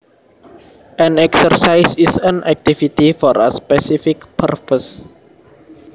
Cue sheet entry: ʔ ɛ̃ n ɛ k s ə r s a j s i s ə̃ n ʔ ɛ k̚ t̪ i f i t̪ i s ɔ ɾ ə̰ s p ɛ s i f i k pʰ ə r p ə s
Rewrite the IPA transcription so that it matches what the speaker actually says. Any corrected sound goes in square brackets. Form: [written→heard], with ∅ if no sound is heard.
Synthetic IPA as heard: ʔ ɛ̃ n ɛ k s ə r s a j s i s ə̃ n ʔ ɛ k̚ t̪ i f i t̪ i [s→f] ɔ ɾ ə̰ s p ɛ s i f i k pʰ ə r p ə s